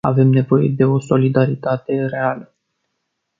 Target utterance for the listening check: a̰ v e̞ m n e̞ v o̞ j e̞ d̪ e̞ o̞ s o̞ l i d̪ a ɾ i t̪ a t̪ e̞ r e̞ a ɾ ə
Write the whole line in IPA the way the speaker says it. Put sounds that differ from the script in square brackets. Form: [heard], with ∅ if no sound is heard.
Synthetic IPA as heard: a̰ v e̞ m n e̞ v o̞ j e̞ d̪ e̞ o̞ s o̞ l i d̪ a ɾ i t̪ a t̪ e̞ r e̞ a [l] ə